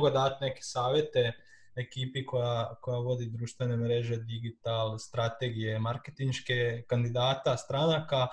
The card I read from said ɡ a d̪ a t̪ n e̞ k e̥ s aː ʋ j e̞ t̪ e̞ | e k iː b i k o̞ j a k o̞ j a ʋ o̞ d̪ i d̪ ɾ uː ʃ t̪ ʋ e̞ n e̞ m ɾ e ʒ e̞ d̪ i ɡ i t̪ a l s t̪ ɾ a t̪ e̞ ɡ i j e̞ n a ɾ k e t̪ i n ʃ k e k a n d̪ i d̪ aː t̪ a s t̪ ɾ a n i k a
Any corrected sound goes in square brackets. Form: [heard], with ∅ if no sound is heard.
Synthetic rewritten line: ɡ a d̪ a t̪ n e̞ k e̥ s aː ʋ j e̞ t̪ e̞ | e k iː [p] i k o̞ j a k o̞ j a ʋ o̞ d̪ i d̪ ɾ uː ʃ t̪ ʋ e̞ n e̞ m ɾ e ʒ e̞ d̪ i ɡ i t̪ a l s t̪ ɾ a t̪ e̞ ɡ i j e̞ [m] a ɾ k e t̪ i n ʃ k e k a n d̪ i d̪ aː t̪ a s t̪ ɾ a n [a] k a